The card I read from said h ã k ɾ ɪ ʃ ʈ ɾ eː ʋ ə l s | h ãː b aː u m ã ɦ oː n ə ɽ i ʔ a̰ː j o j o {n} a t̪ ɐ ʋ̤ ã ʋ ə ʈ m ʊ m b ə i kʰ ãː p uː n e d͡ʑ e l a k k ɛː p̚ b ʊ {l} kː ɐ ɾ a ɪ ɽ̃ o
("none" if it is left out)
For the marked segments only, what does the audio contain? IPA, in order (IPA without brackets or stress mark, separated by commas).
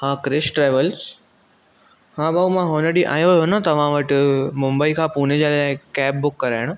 n, none